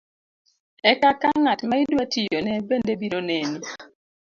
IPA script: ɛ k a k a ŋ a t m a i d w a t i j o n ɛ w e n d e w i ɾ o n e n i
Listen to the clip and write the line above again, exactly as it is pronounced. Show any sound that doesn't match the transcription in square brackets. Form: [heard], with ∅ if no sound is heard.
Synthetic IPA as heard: ɛ k a k a ŋ a t m a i d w a t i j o n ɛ [b] e n d e [b] i ɾ o n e n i